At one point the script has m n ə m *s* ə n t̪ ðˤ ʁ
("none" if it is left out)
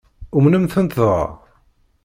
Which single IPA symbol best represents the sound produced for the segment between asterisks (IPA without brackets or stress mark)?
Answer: θ